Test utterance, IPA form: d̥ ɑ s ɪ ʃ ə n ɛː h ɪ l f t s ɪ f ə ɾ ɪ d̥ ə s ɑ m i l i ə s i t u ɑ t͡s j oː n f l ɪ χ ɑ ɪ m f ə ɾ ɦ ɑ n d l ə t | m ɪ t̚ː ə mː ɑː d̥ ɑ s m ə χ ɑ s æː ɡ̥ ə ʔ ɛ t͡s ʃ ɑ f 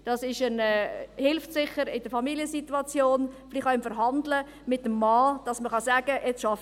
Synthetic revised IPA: d̥ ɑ s ɪ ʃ ə n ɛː h ɪ l f t s ɪ χ ə ɾ ɪ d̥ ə f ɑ m i l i ə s i t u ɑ t͡s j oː n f l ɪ χ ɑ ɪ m f ə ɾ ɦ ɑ n d l ə | m ɪ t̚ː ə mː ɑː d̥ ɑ s m ə χ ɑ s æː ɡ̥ ə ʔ ɛ t͡s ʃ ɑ f